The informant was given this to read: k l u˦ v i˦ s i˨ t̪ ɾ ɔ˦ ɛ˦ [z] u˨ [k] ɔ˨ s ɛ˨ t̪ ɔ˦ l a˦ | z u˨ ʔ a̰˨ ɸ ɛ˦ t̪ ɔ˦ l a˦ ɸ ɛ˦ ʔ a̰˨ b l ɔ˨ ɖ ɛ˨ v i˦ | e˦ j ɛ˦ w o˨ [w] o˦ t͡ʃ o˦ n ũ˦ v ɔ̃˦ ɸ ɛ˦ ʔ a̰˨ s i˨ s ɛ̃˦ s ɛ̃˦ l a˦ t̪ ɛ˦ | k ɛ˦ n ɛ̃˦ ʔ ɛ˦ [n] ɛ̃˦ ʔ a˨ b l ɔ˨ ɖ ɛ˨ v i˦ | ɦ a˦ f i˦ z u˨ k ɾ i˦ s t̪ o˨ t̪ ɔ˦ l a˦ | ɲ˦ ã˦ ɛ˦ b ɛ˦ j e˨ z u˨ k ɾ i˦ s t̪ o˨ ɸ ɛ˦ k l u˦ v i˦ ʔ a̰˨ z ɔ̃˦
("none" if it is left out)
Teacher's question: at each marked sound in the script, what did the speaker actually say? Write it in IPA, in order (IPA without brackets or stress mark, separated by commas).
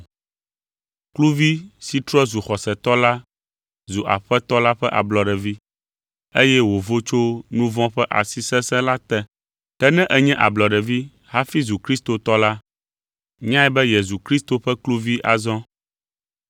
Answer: z, x, v, ɲ